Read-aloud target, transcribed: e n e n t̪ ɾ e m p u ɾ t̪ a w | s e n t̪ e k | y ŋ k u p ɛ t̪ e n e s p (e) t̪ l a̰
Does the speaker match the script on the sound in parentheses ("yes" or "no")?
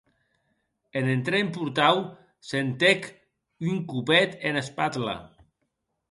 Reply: no